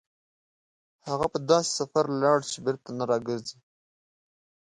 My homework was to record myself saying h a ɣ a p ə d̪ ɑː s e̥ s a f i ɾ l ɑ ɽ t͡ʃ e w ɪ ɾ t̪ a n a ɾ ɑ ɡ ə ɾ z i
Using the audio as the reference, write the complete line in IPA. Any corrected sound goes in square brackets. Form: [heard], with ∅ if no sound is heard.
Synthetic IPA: h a ɣ a p ə d̪ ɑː s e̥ s a f [a] ɾ l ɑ ɽ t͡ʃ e [b] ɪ ɾ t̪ a n a ɾ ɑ ɡ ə ɾ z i